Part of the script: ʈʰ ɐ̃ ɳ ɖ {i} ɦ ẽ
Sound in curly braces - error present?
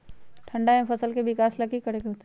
yes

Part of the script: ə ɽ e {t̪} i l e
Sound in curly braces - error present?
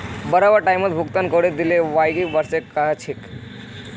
yes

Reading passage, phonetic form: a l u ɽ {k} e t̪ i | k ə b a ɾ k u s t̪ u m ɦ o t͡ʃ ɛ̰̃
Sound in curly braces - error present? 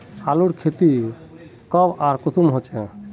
yes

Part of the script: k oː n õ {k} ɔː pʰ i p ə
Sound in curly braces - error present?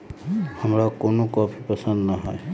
no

